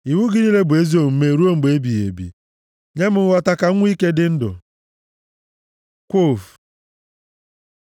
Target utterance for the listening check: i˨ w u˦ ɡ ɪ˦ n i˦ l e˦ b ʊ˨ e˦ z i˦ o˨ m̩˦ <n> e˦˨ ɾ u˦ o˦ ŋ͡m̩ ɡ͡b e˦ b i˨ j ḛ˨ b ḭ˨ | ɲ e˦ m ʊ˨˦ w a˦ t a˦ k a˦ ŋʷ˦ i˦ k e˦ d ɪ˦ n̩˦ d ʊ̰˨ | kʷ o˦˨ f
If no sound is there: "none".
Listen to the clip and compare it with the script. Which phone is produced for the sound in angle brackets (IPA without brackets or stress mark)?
m